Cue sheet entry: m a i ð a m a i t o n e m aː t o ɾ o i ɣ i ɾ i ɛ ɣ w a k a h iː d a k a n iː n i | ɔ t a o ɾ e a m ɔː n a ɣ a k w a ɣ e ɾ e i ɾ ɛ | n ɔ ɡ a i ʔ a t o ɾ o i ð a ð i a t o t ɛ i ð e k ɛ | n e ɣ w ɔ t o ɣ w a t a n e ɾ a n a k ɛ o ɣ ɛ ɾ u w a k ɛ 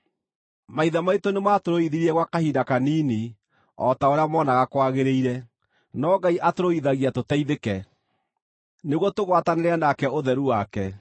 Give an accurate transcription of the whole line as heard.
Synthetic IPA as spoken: m a i ð a m a i t o n e m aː t o ɾ o i ð i ɾ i ɛ ɣ w a k a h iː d a k a n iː n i | ɔ t a o ɾ e a m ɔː n a ɣ a k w a ɣ e ɾ e i ɾ ɛ | n ɔ ɡ a i ʔ a t o ɾ o i ð a ɣ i a t o t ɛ i ð e k ɛ | n e ɣ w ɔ t o ɣ w a t a n e ɾ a n a k ɛ o ð ɛ ɾ u w a k ɛ